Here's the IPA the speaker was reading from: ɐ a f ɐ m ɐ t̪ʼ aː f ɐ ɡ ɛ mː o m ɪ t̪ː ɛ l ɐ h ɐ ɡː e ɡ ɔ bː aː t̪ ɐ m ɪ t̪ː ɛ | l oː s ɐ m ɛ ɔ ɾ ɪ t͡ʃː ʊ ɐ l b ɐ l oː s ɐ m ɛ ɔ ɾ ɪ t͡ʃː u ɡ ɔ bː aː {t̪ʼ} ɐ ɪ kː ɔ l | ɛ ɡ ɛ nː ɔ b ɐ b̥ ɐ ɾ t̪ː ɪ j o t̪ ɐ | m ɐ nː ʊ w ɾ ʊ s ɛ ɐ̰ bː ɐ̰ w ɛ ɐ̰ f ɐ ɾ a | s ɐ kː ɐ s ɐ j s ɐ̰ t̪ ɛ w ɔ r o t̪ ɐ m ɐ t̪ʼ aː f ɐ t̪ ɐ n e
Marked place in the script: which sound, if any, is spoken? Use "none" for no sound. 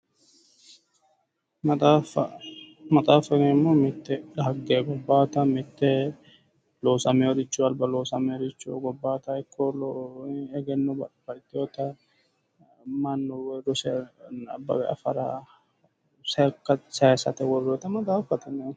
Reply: t̪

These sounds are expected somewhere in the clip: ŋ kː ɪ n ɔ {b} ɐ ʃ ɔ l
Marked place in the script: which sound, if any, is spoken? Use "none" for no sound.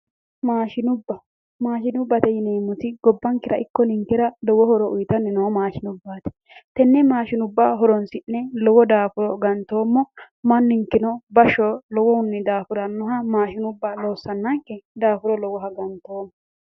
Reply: b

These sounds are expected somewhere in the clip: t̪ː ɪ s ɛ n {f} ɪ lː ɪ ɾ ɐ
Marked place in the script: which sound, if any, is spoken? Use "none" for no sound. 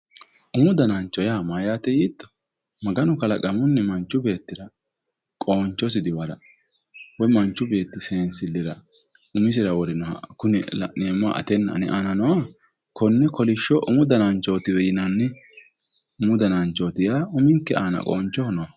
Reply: s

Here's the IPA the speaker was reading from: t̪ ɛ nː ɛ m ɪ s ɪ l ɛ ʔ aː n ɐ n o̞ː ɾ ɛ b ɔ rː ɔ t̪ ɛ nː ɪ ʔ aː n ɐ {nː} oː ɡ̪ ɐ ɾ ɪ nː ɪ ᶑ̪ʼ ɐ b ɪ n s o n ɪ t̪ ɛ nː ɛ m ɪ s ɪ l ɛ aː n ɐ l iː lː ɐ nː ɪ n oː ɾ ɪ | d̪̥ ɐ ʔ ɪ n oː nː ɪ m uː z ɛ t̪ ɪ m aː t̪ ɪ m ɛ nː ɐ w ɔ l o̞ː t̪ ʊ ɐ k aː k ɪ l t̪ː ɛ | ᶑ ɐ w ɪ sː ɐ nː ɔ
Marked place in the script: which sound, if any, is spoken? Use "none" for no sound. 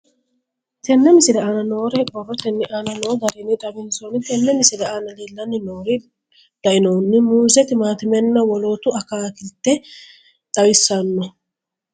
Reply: n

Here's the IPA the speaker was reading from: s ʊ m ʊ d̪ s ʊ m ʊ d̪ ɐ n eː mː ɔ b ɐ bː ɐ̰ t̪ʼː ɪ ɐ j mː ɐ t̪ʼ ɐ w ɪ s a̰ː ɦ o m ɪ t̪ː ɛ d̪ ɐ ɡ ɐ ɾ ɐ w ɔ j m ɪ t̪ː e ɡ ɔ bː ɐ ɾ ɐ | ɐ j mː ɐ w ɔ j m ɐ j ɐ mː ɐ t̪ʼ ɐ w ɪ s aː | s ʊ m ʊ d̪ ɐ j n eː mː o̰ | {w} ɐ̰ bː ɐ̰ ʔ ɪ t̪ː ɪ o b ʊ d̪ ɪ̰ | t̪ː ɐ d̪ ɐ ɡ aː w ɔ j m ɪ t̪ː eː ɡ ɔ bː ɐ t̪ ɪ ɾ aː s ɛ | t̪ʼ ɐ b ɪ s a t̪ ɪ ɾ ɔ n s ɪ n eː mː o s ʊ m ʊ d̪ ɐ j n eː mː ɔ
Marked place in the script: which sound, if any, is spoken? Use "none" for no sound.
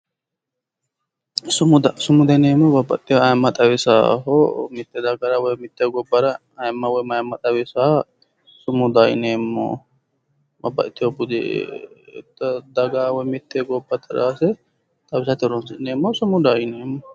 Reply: b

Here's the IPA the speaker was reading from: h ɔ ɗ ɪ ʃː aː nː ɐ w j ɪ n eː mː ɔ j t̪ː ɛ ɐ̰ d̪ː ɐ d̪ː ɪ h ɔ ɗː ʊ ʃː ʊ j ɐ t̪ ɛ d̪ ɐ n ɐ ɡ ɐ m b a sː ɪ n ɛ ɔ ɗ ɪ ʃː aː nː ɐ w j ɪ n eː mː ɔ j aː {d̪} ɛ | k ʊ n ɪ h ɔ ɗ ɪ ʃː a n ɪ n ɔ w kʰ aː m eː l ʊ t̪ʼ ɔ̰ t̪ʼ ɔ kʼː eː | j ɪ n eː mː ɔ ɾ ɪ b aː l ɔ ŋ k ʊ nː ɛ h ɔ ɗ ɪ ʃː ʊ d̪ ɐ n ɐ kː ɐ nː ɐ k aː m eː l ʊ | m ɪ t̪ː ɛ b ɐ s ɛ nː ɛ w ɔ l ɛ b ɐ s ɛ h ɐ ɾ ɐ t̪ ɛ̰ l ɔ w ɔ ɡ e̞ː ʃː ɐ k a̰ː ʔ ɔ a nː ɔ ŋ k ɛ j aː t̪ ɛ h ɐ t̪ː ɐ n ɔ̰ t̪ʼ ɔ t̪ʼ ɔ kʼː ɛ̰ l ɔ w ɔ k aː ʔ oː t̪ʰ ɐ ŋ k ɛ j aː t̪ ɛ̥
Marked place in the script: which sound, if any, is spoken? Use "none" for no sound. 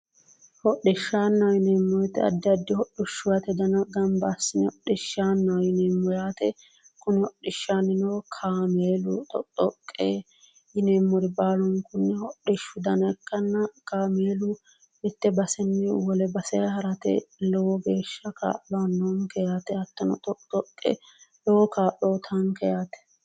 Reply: t̪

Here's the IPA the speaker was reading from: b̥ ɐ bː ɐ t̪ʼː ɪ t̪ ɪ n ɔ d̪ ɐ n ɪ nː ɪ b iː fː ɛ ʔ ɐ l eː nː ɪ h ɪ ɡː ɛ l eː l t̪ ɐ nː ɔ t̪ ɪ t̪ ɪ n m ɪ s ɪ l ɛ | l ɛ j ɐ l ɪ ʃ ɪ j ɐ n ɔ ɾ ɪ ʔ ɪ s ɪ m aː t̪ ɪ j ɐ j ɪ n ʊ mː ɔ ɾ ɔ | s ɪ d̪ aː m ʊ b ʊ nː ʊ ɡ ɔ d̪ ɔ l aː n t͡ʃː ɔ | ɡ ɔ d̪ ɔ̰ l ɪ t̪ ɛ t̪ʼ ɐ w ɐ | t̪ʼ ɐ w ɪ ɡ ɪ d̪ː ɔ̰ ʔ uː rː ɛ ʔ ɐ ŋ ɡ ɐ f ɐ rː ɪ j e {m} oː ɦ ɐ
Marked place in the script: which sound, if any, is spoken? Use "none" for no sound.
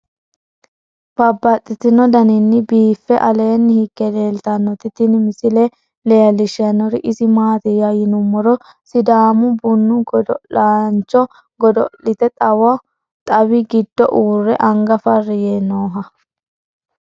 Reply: n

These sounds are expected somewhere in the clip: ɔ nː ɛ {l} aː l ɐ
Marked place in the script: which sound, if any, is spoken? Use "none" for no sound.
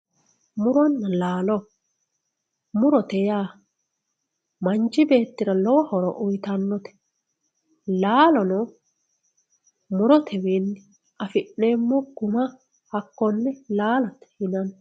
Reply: l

